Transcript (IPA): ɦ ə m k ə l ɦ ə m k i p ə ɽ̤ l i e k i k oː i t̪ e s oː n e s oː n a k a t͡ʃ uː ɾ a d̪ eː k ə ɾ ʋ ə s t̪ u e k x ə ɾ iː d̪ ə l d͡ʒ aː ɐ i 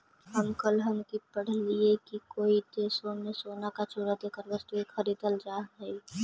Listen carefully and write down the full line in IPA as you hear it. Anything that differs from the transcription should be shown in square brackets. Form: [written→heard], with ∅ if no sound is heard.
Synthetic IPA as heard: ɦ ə m k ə l ɦ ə m k i p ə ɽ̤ l i e k i k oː i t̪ e s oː n e s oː n a k a t͡ʃ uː ɾ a d̪ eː k ə ɾ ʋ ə s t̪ u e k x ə ɾ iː d̪ ə l d͡ʒ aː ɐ i